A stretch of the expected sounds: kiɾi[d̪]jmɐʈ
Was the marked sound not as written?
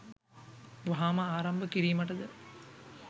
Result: yes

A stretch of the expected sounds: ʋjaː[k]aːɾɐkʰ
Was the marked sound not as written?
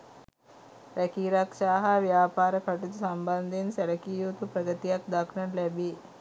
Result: yes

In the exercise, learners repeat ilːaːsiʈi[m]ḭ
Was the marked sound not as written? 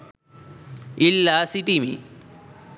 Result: no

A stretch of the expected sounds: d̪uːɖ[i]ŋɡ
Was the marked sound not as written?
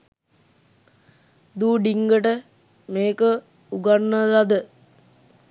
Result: no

